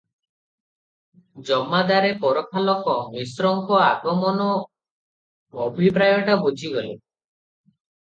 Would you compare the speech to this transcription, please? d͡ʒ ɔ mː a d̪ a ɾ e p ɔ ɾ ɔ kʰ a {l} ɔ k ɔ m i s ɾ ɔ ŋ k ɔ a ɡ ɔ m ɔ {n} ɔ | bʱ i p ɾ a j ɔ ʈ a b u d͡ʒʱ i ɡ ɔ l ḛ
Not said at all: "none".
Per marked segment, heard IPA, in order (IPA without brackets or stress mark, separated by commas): l, n